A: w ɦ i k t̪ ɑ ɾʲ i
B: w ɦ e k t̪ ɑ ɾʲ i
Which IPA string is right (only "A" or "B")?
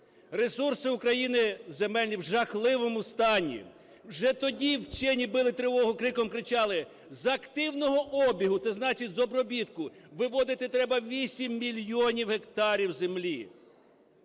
B